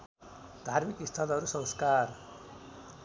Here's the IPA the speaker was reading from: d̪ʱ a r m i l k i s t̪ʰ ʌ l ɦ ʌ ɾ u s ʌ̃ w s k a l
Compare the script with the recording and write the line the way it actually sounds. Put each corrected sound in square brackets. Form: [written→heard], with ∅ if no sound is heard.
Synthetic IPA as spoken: d̪ʱ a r m i [l→∅] k i s t̪ʰ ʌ l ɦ ʌ ɾ u s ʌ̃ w s k a [l→r]